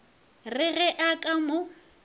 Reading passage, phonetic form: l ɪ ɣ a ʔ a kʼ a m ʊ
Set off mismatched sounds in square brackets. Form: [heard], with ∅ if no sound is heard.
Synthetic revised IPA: [r] ɪ ɣ [ɛ] ʔ a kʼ a m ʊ